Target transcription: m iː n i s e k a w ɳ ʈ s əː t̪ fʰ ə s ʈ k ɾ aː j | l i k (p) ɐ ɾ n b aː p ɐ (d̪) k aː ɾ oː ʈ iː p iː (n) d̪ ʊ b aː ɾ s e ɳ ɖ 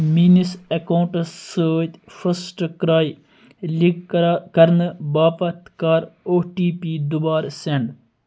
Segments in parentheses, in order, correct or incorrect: incorrect, incorrect, incorrect

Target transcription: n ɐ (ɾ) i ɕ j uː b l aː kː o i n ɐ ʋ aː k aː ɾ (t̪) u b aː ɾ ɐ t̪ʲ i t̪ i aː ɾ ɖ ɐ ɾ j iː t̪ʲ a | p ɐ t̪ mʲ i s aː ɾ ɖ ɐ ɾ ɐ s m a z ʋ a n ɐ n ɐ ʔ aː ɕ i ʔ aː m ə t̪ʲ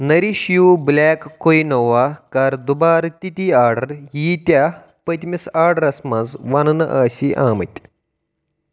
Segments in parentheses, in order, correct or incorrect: correct, incorrect

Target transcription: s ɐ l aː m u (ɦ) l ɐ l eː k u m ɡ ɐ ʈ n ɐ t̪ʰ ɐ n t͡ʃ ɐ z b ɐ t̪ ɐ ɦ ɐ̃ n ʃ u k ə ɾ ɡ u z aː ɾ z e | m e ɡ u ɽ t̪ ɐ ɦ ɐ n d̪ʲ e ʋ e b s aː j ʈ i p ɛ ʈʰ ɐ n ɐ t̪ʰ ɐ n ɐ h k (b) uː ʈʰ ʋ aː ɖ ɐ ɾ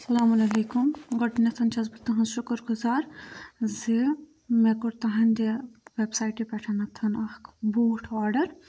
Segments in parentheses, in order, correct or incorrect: incorrect, correct

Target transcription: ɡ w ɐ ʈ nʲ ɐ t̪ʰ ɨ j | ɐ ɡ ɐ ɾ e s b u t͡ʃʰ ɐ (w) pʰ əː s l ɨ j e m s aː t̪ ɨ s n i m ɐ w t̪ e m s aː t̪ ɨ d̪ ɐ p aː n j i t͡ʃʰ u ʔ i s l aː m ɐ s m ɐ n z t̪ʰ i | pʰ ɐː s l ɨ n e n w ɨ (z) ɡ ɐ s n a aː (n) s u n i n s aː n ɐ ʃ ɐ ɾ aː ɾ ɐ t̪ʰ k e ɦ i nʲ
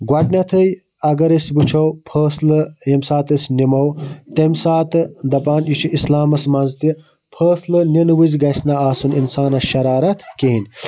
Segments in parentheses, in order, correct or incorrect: correct, correct, incorrect

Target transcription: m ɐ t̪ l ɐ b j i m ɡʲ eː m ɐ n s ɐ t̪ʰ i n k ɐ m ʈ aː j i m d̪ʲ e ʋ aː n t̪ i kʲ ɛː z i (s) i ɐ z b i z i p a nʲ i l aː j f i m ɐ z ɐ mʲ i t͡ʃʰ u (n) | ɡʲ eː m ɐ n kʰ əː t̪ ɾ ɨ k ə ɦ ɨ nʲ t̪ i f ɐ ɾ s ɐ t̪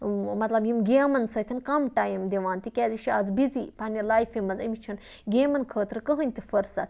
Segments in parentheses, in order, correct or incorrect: incorrect, correct

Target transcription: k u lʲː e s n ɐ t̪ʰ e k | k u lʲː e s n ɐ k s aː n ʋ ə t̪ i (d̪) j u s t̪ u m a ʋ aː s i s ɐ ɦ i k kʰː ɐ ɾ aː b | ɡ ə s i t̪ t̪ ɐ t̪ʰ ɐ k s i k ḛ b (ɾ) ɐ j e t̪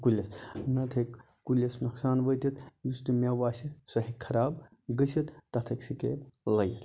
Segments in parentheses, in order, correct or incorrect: incorrect, incorrect

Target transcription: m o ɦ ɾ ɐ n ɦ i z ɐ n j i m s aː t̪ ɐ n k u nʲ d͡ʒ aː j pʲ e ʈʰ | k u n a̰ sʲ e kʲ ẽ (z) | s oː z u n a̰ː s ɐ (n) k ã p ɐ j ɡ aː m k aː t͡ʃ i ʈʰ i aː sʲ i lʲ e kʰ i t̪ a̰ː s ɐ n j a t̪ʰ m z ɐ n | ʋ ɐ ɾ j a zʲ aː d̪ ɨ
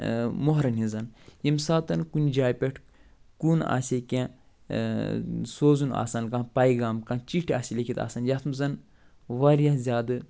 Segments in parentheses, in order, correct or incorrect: incorrect, correct

